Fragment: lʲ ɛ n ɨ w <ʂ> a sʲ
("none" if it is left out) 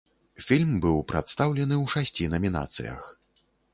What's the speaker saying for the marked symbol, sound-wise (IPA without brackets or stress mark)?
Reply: ʂ